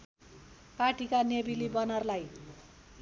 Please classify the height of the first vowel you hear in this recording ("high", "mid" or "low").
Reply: low